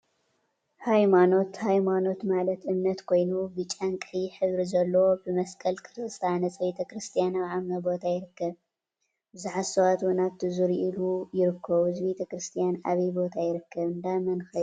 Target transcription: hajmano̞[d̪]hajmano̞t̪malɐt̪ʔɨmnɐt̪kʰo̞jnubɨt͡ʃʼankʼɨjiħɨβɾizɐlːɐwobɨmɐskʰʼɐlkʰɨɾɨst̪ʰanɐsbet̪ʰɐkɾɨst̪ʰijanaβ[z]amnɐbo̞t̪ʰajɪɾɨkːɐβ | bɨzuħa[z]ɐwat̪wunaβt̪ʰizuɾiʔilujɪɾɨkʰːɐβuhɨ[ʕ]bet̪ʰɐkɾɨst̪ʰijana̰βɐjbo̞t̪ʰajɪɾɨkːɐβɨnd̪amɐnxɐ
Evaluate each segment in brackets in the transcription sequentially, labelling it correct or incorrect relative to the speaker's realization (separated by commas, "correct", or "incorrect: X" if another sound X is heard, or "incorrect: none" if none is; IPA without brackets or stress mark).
incorrect: t̪, incorrect: ʕ, incorrect: s, incorrect: z